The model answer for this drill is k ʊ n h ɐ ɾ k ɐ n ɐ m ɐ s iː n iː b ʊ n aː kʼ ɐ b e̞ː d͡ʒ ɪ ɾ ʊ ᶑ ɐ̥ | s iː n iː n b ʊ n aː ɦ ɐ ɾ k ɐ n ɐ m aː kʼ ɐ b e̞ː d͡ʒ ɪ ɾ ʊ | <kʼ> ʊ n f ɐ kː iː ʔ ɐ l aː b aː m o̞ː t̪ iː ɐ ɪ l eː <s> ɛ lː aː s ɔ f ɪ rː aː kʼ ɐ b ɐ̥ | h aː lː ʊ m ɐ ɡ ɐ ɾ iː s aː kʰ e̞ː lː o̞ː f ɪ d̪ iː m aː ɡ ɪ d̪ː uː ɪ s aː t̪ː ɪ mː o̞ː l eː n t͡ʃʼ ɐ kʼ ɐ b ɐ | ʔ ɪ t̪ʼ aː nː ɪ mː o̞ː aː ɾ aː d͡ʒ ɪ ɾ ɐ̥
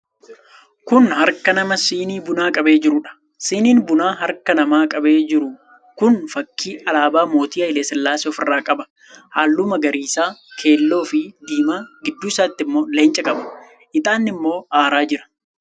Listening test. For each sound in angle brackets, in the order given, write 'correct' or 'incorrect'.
incorrect: k, correct

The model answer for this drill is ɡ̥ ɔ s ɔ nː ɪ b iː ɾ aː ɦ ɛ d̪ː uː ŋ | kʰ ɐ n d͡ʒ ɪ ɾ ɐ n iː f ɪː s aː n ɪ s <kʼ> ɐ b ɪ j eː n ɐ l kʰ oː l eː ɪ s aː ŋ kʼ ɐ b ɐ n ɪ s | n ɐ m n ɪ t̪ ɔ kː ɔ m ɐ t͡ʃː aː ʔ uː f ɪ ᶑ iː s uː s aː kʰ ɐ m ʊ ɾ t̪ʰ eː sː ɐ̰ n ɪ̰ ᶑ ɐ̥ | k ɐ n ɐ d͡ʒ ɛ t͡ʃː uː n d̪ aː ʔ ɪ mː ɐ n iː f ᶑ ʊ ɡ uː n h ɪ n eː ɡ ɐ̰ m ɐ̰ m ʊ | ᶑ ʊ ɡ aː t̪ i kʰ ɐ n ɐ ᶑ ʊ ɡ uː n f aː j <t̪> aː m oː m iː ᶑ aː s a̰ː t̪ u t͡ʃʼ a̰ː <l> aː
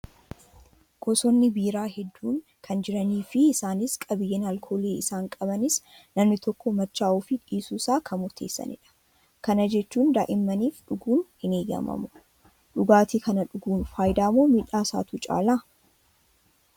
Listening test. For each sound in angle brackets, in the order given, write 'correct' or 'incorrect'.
correct, incorrect: d̪, correct

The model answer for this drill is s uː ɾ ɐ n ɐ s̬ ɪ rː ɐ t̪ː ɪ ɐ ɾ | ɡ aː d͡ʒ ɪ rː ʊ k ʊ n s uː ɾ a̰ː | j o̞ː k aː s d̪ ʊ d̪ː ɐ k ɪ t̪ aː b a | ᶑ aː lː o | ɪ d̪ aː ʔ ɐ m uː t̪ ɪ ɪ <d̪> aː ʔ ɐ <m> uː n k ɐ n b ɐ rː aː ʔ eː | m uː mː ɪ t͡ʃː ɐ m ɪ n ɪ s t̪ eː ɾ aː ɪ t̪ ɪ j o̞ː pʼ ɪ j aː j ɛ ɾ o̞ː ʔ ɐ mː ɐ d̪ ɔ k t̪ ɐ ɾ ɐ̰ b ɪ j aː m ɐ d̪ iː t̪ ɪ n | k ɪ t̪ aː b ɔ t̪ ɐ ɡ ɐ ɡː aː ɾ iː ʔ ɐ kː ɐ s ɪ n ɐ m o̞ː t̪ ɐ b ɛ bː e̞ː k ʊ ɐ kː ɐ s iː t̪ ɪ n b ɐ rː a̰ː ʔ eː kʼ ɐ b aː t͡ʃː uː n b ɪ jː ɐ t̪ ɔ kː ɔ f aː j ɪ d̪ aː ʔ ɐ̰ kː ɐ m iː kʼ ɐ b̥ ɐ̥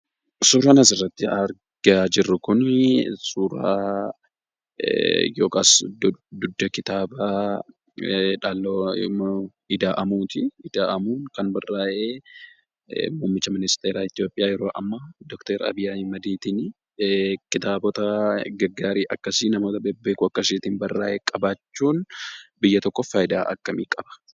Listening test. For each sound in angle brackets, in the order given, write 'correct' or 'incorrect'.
correct, correct

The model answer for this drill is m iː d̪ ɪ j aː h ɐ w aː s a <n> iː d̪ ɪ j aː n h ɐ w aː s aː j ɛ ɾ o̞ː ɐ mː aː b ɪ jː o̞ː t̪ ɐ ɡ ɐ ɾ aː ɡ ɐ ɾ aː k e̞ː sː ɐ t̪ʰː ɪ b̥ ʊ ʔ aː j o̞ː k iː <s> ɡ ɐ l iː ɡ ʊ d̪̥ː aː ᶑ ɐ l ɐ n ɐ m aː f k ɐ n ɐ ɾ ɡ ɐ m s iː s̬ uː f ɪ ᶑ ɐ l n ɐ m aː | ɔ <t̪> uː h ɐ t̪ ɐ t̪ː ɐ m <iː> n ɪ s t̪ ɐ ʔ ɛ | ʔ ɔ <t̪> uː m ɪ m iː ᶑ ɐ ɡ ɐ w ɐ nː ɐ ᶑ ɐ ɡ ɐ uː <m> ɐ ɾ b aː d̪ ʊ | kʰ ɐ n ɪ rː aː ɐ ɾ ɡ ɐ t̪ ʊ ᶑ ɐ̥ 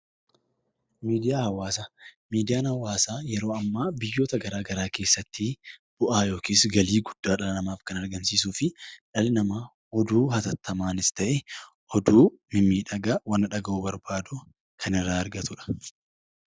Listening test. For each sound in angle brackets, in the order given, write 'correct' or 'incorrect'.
incorrect: m, correct, incorrect: d̪, incorrect: aː, incorrect: d̪, incorrect: b

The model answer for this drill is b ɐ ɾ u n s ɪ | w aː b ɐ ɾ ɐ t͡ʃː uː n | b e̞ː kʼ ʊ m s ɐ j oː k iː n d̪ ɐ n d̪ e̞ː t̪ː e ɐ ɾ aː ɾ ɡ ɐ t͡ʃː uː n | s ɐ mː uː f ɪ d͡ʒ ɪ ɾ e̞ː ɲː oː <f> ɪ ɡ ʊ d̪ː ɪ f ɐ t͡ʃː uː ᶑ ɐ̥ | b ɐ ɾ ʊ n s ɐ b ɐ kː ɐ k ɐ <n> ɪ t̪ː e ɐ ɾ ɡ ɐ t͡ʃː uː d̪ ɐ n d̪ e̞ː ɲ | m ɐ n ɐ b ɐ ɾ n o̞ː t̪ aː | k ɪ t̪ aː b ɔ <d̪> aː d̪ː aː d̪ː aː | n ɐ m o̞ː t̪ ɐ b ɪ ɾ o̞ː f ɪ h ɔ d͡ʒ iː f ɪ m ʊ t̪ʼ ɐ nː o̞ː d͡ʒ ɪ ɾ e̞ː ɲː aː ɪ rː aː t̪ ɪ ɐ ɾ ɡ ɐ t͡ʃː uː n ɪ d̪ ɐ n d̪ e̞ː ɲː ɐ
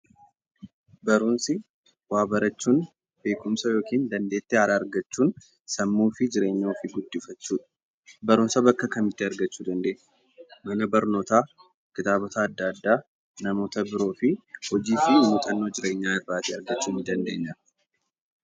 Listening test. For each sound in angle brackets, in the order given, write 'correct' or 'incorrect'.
correct, incorrect: m, incorrect: t̪

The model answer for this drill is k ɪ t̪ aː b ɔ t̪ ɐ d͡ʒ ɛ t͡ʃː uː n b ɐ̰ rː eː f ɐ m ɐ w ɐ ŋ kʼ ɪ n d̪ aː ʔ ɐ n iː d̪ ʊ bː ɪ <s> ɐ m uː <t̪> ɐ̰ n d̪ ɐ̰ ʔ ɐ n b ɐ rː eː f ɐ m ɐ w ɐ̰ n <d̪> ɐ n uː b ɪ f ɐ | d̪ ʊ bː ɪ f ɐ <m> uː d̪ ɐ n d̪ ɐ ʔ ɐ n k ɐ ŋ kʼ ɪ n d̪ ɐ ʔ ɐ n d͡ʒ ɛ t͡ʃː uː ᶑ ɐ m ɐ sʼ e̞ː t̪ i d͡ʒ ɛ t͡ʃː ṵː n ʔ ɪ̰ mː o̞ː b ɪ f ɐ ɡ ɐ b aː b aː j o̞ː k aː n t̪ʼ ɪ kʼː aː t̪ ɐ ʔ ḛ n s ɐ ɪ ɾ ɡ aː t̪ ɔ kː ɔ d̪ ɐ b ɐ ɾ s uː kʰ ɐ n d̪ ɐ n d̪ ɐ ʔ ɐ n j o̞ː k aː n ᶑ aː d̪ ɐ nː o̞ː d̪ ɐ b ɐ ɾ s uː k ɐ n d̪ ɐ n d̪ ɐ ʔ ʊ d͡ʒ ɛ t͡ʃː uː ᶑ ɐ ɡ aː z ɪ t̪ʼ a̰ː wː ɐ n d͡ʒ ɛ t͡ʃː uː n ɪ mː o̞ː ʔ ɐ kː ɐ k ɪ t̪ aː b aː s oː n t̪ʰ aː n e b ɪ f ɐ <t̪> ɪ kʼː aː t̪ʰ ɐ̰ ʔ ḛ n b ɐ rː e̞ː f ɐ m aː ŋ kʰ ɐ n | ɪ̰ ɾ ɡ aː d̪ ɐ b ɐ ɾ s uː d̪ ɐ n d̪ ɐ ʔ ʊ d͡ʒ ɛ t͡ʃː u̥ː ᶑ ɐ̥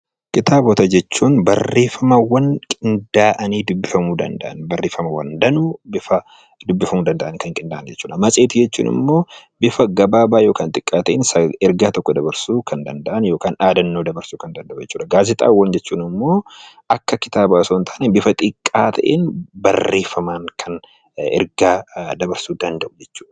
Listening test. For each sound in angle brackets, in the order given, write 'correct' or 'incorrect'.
incorrect: f, incorrect: d̪, correct, correct, incorrect: t̪ʼ

